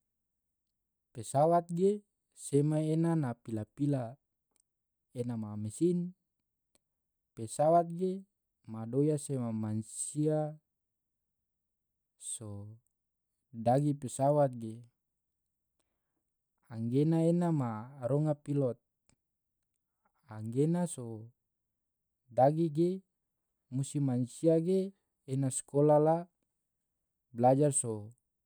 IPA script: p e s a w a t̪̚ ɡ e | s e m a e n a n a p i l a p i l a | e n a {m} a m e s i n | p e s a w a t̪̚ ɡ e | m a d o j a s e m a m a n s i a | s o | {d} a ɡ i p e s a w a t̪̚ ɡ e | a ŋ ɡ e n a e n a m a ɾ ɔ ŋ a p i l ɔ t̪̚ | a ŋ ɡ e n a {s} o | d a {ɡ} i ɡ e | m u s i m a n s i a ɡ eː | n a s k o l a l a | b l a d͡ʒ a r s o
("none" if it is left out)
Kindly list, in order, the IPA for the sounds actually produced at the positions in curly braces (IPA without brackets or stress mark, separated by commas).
m, d, s, ɡ